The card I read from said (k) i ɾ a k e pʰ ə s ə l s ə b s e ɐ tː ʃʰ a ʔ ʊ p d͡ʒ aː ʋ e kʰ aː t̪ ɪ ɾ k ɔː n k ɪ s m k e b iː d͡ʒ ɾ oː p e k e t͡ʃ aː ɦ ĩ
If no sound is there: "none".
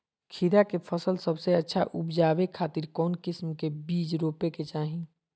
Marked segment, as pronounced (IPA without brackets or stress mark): kʰ